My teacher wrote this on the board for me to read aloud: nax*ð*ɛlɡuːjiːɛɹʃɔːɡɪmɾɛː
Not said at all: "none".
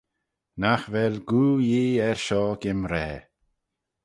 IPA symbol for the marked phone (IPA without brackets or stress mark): v